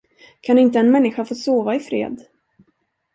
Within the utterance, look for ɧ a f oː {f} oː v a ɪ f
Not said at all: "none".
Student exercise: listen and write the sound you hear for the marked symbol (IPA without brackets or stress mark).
s